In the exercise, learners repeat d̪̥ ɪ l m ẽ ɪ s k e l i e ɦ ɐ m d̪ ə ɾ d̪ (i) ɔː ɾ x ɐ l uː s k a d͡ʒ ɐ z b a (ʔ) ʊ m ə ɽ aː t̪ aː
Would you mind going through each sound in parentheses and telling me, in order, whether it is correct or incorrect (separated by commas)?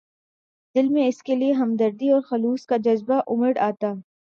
correct, correct